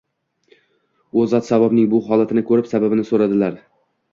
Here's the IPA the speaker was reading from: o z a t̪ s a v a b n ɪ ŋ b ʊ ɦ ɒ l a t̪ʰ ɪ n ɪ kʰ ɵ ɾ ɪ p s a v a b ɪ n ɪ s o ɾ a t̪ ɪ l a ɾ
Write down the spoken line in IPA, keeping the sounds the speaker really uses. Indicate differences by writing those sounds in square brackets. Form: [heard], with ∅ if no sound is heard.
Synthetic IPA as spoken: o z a t̪ s a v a b n ɪ ŋ b ʊ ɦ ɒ l a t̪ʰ ɪ n ɪ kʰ ɵ ɾ ɪ p s a [b] a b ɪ n ɪ s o ɾ a [d̪] ɪ l a ɾ